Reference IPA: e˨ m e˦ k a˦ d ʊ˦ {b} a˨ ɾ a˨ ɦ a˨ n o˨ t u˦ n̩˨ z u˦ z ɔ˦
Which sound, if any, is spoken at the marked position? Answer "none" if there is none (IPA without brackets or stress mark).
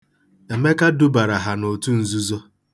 b